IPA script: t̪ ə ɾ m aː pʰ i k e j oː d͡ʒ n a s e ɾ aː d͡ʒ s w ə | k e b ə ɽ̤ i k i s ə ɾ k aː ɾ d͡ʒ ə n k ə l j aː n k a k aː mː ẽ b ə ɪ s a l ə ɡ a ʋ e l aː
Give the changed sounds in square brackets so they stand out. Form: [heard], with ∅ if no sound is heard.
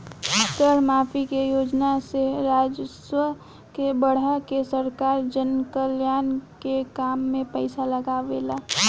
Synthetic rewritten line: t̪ ə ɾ m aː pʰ i k e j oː d͡ʒ n a s e ɾ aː d͡ʒ s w ə | k e b ə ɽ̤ [a] k [e] s ə ɾ k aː ɾ d͡ʒ ə n k ə l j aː n k [e] k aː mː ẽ [p] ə ɪ s a l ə ɡ a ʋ e l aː